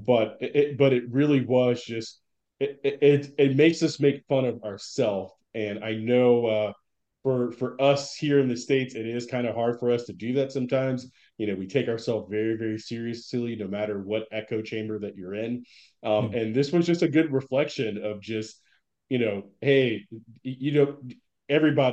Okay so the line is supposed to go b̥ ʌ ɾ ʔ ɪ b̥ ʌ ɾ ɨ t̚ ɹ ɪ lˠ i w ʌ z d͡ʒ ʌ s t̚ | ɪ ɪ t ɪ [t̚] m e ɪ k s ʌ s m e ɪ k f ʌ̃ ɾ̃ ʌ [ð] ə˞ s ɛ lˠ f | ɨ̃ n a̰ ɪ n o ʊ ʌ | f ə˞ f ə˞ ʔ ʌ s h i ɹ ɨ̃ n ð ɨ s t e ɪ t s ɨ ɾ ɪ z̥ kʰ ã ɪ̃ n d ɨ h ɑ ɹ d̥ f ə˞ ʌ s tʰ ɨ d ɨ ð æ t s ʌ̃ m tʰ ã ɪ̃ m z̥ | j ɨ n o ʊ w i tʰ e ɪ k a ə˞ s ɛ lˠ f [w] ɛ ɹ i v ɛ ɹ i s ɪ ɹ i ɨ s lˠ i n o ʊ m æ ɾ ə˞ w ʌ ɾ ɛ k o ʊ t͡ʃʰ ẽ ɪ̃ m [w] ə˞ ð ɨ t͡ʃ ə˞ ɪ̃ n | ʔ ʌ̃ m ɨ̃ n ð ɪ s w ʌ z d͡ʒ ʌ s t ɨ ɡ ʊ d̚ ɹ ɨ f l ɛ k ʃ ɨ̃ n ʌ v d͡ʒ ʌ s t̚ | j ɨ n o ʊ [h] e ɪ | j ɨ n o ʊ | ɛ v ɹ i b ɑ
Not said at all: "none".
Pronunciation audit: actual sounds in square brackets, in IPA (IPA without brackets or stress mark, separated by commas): t̚, v, v, b, h